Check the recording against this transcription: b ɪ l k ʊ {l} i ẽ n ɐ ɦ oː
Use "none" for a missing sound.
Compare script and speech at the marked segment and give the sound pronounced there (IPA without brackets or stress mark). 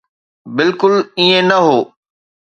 l